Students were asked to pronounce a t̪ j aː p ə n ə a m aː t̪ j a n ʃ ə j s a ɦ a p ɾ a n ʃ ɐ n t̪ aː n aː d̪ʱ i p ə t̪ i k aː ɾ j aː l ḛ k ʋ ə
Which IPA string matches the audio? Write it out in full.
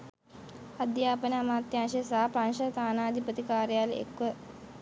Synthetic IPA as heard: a d̪ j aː p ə n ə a m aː t̪ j a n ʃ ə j s a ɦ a p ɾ a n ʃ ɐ t̪ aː n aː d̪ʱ i p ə t̪ i k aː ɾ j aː l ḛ k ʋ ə